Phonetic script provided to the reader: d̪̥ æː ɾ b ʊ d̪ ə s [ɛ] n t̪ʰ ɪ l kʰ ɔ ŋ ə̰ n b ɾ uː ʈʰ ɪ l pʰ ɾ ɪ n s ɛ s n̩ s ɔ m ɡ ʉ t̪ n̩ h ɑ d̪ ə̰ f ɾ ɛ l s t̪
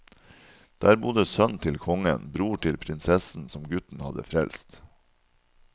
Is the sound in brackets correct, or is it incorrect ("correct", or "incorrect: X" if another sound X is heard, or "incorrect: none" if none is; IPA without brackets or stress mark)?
incorrect: œ